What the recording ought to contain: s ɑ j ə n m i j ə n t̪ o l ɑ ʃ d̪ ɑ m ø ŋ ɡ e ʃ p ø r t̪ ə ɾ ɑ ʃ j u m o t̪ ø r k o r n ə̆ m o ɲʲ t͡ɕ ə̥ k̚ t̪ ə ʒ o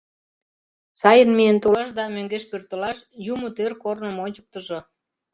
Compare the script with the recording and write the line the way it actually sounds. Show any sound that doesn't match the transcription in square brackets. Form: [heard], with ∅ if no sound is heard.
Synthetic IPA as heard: s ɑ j ə n m i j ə n t̪ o l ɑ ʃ d̪ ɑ m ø ŋ ɡ e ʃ p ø r t̪ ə [l] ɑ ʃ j u m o t̪ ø r k o r n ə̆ m o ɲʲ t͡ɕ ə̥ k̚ t̪ ə ʒ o